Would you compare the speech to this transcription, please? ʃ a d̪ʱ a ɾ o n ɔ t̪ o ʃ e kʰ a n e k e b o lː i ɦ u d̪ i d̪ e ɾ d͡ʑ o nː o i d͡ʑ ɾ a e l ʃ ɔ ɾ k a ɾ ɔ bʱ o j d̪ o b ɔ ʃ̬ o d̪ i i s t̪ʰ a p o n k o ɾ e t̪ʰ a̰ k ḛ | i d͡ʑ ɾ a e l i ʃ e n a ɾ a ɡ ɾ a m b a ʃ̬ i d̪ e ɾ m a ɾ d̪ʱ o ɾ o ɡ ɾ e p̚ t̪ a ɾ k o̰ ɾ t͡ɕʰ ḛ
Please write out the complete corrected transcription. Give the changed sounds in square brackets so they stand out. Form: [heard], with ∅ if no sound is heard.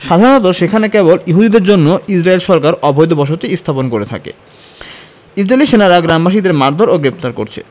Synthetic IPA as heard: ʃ a d̪ʱ a ɾ o n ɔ t̪ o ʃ e kʰ a n e k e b o [l] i ɦ u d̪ i d̪ e ɾ d͡ʑ o nː o i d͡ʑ ɾ a e l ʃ ɔ ɾ k a ɾ ɔ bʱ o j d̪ o b ɔ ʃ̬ o [t̪] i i s t̪ʰ a p o n k o ɾ e t̪ʰ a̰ k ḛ | i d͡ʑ ɾ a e l i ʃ e n a ɾ a ɡ ɾ a m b a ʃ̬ i d̪ e ɾ m a ɾ d̪ʱ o ɾ o ɡ ɾ e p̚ t̪ a ɾ k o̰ ɾ t͡ɕʰ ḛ